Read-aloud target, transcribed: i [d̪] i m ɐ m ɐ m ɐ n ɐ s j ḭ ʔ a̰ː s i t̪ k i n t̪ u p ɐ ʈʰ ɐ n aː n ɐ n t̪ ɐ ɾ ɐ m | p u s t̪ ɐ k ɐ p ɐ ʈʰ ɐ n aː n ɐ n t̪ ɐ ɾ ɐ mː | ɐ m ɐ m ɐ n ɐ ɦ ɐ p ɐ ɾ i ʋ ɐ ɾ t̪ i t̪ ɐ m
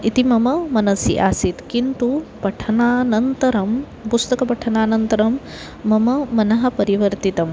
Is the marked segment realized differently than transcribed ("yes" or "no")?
yes